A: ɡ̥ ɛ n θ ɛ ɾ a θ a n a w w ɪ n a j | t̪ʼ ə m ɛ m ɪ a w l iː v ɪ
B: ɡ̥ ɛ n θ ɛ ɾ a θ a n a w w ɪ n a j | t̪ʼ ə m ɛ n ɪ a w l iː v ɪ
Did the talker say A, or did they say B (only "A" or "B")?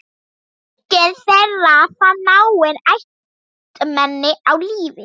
B